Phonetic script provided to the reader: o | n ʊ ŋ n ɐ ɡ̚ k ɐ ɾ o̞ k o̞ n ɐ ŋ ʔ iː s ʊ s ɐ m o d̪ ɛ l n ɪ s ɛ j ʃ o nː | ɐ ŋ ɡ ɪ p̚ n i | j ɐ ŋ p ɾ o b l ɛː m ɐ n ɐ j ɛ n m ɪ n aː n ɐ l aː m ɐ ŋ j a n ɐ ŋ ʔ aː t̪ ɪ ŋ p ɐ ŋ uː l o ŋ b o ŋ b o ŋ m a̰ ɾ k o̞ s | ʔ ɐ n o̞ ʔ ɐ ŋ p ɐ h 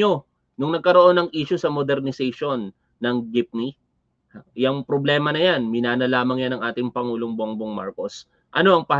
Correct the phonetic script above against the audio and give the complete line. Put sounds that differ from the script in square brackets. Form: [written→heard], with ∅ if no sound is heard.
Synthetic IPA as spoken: o | n ʊ ŋ n ɐ ɡ̚ k ɐ ɾ o̞ [k→ʔ] o̞ n ɐ ŋ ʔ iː [s→ʃ] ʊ s ɐ m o d̪ ɛ [l→ɾ] n ɪ s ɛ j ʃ o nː | ɐ ŋ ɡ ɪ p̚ n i | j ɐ ŋ p ɾ o b l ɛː m ɐ n ɐ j [ɛ→a] n m ɪ n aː n ɐ l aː m ɐ ŋ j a n ɐ ŋ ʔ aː t̪ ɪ ŋ p ɐ ŋ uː l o ŋ b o ŋ b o ŋ m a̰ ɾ k o̞ s | ʔ ɐ n o̞ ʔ ɐ ŋ p ɐ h